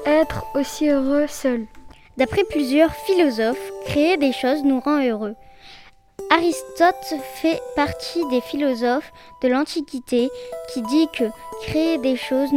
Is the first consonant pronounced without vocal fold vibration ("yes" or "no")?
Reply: yes